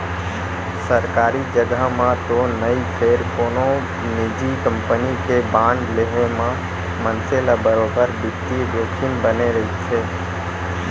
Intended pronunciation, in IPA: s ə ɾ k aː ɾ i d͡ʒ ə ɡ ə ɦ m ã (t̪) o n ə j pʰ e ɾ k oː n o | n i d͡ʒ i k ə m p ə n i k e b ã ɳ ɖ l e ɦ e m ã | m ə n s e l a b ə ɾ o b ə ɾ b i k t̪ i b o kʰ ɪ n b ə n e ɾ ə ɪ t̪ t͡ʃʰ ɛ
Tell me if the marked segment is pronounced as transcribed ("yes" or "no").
yes